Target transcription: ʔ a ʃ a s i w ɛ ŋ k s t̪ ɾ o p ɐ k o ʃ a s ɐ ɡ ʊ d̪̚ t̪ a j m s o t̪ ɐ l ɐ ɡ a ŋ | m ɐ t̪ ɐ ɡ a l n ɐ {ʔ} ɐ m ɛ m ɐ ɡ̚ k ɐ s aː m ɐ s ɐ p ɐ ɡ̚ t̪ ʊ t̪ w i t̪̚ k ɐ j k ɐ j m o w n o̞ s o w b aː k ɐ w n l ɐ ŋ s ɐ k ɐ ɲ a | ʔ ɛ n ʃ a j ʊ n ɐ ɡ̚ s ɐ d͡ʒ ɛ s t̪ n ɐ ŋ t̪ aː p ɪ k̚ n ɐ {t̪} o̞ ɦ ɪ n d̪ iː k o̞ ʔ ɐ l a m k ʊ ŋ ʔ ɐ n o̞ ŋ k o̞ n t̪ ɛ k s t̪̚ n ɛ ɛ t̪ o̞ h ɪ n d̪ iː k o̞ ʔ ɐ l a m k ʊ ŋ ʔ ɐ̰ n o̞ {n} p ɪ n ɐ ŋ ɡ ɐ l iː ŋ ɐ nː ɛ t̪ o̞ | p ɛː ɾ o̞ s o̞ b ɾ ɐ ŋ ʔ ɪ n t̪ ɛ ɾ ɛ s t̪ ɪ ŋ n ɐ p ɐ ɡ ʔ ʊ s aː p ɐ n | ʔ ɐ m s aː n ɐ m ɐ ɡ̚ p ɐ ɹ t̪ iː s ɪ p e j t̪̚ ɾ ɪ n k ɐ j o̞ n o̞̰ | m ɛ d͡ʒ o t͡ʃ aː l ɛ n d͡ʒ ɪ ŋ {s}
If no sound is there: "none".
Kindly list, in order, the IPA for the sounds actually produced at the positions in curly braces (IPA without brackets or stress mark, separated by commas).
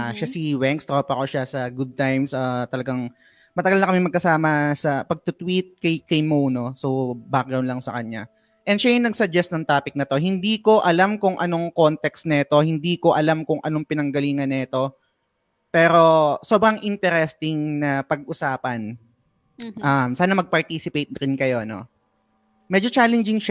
k, t̪, ŋ, ʃ